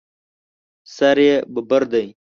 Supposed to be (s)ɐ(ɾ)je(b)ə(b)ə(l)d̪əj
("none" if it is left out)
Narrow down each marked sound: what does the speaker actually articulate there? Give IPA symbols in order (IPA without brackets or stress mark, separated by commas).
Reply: s, ɾ, b, b, ɾ